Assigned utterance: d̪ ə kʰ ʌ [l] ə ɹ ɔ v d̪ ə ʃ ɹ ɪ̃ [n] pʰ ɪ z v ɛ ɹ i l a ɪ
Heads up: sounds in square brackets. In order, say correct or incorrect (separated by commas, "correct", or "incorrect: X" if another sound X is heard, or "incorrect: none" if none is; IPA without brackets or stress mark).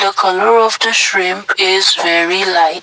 correct, incorrect: m